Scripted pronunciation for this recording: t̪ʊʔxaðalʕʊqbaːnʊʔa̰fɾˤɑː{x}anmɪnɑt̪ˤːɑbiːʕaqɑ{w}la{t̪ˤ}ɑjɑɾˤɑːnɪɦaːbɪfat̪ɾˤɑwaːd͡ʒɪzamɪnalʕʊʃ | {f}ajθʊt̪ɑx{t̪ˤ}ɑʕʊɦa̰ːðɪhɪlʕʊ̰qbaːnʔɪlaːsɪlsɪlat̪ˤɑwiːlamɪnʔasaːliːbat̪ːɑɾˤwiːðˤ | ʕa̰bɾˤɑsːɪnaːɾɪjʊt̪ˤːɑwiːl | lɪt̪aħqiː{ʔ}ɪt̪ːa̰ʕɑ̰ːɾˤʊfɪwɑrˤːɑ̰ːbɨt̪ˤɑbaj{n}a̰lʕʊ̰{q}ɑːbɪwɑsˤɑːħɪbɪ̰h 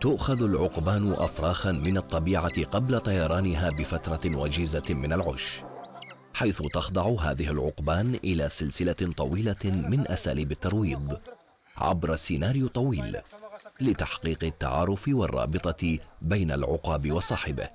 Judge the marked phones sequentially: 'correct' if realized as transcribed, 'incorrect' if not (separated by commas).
correct, incorrect, correct, incorrect, incorrect, incorrect, correct, correct